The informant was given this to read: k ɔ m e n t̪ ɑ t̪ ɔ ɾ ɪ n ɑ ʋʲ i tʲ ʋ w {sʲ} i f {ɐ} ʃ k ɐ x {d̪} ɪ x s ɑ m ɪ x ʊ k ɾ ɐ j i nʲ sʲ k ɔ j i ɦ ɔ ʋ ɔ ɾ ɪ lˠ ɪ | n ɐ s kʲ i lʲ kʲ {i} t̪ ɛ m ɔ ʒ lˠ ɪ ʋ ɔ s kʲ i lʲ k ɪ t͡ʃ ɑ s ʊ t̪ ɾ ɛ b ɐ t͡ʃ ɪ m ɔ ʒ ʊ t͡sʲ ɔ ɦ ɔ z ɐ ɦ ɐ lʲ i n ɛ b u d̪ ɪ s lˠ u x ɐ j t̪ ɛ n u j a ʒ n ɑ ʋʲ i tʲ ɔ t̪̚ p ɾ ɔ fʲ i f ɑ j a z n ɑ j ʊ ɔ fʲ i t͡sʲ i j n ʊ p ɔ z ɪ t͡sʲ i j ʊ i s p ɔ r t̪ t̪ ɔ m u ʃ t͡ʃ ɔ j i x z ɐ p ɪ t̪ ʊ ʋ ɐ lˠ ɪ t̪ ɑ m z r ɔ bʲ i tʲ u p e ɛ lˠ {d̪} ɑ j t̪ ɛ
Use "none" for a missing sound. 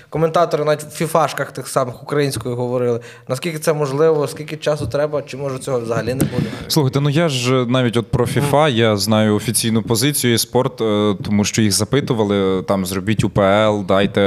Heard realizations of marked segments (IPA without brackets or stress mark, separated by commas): fʲ, ɑ, t̪, ɪ, d̪